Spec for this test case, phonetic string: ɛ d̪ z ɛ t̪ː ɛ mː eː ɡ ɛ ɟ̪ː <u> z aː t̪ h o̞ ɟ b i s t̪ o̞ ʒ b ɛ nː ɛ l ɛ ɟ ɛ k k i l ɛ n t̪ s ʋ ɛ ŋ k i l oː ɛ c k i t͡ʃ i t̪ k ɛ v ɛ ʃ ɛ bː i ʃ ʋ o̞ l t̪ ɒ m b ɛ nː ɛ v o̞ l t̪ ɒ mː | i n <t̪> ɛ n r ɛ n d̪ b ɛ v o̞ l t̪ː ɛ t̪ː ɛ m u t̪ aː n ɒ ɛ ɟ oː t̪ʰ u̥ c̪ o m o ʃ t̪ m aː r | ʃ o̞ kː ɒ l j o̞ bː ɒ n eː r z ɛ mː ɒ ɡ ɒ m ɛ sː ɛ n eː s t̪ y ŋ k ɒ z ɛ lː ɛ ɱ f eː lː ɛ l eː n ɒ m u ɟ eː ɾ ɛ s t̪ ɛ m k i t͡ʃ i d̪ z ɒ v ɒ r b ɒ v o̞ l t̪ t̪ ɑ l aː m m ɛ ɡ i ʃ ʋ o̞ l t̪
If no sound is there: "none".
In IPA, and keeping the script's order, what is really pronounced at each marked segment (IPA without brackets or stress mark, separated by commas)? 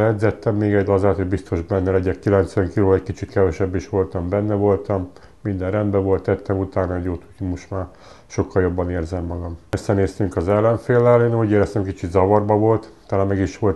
ɒ, d̪